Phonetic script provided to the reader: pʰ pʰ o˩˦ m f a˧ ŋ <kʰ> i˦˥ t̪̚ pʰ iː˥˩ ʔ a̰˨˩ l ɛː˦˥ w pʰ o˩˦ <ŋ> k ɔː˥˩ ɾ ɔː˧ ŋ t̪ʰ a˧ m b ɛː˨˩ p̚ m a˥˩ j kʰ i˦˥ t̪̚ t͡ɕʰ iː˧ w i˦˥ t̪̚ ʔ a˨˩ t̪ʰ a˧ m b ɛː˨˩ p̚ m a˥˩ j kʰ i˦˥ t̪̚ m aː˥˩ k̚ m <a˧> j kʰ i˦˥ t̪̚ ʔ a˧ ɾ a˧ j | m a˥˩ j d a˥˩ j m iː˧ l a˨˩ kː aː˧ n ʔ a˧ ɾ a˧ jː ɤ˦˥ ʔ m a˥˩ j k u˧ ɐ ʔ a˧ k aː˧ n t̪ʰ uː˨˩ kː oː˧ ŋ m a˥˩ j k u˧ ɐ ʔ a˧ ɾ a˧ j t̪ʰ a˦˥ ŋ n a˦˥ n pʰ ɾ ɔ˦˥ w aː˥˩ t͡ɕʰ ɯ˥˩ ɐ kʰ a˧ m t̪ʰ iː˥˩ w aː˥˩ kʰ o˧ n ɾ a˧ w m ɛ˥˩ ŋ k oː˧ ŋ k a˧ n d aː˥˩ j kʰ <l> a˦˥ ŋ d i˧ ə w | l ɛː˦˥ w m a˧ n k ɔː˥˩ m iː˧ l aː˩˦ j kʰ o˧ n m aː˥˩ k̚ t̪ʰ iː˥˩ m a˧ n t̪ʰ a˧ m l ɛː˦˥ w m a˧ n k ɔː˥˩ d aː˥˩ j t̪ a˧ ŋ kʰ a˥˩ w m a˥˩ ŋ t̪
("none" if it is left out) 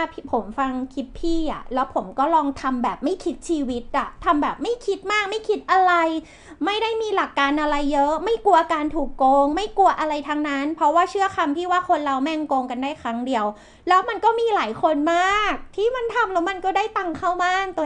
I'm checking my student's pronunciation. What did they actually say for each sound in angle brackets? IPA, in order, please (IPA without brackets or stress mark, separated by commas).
kʰ, m, a˥˩, ɾ